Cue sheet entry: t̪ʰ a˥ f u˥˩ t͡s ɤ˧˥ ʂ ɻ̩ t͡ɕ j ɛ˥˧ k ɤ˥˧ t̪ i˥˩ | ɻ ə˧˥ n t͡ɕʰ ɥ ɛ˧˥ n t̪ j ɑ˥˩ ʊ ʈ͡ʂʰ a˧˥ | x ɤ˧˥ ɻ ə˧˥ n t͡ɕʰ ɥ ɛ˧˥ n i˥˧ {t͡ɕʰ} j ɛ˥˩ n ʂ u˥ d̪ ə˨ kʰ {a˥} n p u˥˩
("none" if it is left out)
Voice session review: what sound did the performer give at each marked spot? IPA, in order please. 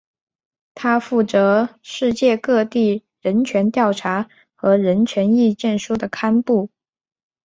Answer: t͡ɕ, a˥

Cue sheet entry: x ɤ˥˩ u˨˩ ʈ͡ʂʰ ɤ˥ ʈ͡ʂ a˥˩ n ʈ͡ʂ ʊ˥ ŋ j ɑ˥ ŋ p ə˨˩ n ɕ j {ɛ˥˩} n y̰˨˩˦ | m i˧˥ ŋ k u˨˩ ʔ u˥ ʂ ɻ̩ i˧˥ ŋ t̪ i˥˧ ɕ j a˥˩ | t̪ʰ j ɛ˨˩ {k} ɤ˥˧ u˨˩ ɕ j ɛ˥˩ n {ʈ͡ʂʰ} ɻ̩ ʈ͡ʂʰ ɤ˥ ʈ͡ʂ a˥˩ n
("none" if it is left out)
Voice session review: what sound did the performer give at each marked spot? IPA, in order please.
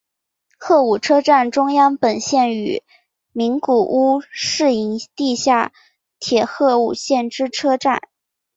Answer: ɛ˥˩, x, ʈ͡ʂ

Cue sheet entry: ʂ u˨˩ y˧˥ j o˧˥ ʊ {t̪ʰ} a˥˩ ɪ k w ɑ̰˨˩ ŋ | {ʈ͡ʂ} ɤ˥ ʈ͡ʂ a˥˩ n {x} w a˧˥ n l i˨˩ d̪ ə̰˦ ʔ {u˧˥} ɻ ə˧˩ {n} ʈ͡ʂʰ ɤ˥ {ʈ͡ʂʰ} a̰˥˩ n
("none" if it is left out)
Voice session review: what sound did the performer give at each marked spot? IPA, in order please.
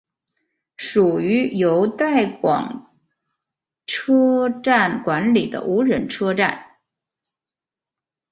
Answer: t̪, ʈ͡ʂʰ, k, u˧˥, n, ʈ͡ʂ

